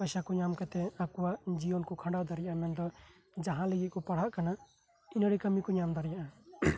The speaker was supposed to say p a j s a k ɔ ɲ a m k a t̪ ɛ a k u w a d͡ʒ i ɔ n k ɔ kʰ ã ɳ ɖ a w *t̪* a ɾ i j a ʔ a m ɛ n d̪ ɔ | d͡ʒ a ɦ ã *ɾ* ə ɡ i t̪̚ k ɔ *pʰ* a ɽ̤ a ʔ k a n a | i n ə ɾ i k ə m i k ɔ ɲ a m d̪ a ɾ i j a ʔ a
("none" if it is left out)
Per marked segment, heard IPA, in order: d̪, l, p

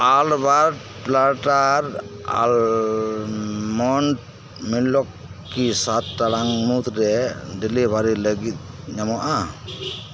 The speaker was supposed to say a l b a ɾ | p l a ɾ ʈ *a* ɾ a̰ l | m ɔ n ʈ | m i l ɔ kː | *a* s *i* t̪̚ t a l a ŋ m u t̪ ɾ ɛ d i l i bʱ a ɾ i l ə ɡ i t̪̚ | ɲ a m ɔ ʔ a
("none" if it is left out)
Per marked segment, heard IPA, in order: a, i, a

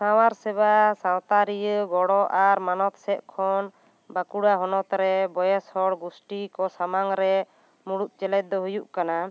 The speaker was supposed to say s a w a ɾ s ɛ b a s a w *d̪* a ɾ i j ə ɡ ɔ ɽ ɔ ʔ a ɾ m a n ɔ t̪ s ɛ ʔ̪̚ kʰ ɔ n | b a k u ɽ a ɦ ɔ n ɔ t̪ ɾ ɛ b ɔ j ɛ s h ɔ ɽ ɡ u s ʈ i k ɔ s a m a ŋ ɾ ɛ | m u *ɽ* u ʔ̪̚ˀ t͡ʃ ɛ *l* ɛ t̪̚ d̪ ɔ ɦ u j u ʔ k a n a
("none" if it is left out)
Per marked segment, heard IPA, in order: t̪, ɽ, l

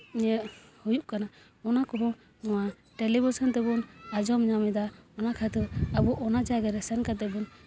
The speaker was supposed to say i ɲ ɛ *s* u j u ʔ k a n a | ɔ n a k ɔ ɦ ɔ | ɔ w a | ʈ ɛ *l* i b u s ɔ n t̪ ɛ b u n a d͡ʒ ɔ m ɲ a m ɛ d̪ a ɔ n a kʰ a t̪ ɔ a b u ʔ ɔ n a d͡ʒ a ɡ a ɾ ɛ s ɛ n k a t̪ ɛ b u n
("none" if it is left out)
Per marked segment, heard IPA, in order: h, l

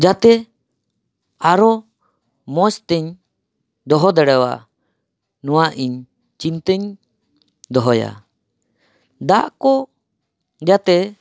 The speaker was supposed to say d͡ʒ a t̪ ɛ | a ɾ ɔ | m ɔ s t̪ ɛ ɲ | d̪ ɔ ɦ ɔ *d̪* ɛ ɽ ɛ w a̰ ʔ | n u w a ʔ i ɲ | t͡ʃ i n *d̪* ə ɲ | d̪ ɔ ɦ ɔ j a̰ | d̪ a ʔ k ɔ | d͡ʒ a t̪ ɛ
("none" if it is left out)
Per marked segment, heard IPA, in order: d̪, t̪

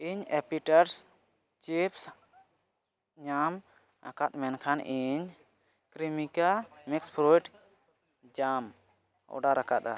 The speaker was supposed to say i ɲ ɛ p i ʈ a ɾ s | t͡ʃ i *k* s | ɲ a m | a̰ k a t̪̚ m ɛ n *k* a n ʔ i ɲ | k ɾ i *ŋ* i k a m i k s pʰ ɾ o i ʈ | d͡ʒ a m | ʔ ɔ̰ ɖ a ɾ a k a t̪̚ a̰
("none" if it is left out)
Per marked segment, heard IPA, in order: p, kʰ, m

